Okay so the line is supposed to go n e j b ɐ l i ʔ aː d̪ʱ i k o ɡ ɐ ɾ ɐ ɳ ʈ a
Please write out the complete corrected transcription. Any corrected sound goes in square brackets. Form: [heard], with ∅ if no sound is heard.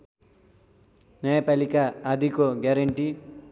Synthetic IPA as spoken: n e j [p] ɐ l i [k] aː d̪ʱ i k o ɡ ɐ ɾ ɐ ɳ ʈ [i]